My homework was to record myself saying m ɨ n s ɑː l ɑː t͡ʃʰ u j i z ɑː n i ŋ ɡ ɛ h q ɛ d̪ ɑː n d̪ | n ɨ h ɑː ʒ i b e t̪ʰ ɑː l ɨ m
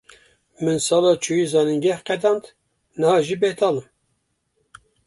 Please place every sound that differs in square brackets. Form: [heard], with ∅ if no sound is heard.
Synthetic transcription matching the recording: m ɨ n s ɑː l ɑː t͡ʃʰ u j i z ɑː n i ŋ ɡ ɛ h q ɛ d̪ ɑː n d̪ | n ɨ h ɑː ʒ i b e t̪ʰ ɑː l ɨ m